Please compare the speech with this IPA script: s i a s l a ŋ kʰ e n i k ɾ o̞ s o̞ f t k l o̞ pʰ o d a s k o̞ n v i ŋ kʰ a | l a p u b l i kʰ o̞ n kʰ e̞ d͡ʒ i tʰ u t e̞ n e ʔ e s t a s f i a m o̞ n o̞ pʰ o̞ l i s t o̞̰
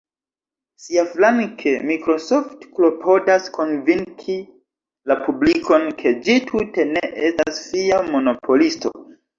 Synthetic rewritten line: s i a f l a ŋ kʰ e m i k ɾ o̞ s o̞ f t k l o̞ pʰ o d a s k o̞ n v i ŋ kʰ i | l a p u b l i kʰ o̞ n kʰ e̞ d͡ʒ i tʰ u t e̞ n e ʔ e s t a s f i a m o̞ n o̞ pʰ o̞ l i s t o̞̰